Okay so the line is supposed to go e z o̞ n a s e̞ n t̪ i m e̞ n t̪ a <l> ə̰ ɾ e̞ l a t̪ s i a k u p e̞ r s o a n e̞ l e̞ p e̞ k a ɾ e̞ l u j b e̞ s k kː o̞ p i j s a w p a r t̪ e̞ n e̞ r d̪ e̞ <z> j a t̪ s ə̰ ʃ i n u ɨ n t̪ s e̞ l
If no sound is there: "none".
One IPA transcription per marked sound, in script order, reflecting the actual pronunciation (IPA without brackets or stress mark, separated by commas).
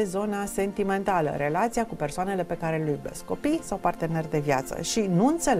l, v